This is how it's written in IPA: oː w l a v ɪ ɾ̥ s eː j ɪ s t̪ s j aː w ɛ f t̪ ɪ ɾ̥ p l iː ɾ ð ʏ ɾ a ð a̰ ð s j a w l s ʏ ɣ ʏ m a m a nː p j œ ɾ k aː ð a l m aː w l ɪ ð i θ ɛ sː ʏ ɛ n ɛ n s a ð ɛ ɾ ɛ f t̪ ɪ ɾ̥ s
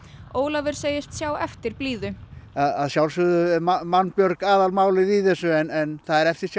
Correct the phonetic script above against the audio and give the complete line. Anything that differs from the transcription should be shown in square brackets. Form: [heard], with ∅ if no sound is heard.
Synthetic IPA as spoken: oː w l a v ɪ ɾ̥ s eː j ɪ s t̪ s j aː w ɛ f t̪ ɪ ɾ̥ p l iː [∅] ð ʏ [∅] a ð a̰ ð s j a w l s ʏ [ð] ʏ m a m a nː p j œ ɾ k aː ð a l m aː w l ɪ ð i θ ɛ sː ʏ ɛ n ɛ n [θ] a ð ɛ ɾ ɛ f t̪ ɪ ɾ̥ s